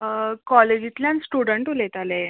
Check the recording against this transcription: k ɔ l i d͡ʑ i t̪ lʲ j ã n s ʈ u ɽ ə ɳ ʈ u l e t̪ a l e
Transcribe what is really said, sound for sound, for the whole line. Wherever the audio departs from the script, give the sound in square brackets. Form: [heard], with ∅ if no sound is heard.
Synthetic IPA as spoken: k ɔ l [e] d͡ʑ i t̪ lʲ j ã n s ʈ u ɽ ə ɳ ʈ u l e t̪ a l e